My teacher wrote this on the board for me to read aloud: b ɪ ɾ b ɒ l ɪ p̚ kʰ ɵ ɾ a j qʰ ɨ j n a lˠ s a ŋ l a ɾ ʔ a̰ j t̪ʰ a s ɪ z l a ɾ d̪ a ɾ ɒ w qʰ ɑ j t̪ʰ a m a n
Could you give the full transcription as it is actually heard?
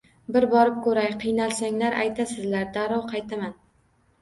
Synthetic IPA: b ɪ ɾ b ɒ ɾ ɪ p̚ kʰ ɵ ɾ a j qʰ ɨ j n a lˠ s a ŋ l a ɾ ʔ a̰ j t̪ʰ a s ɪ z l a ɾ d̪ a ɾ ɒ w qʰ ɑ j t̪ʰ a m a n